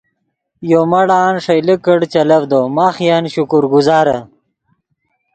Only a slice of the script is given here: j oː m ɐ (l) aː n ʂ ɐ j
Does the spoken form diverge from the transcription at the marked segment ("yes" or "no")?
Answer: yes